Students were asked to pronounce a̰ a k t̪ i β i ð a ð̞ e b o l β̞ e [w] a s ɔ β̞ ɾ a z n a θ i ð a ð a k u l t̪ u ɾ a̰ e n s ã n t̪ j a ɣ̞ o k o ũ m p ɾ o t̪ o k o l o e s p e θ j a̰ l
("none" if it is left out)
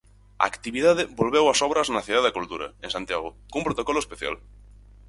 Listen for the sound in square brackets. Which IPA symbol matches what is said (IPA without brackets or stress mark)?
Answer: w